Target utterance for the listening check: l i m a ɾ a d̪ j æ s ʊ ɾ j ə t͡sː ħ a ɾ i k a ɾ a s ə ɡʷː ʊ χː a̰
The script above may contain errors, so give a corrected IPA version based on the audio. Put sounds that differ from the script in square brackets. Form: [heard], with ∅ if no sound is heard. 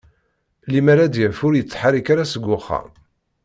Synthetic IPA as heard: l i m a ɾ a d̪ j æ [f] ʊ ɾ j ə t͡sː ħ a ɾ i k a ɾ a s ə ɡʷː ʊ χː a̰